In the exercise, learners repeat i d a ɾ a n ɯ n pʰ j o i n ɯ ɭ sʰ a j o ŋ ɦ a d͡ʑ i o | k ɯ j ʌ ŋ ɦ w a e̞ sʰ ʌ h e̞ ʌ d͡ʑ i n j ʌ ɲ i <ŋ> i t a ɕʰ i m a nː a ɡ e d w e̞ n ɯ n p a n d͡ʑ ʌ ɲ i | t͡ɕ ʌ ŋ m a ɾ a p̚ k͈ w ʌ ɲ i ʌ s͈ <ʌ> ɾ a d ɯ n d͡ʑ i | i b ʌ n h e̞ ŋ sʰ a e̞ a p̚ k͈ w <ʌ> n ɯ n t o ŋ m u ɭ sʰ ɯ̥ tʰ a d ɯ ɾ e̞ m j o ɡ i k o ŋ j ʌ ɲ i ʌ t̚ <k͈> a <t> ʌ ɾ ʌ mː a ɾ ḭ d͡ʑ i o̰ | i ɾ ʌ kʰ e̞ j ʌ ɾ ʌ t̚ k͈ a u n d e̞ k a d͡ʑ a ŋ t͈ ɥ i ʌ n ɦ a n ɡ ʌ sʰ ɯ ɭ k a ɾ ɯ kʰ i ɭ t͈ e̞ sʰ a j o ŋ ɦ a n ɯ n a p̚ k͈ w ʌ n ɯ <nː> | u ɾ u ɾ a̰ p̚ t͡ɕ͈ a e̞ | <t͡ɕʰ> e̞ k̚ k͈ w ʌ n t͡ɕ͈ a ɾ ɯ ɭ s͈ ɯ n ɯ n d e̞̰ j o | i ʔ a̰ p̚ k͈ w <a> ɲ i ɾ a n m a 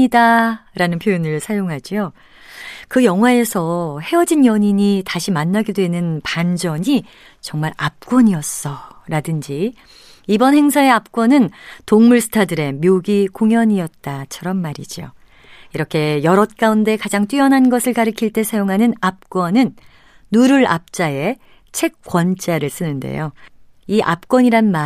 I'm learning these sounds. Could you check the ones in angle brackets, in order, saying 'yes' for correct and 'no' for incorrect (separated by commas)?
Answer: no, yes, yes, no, no, yes, yes, no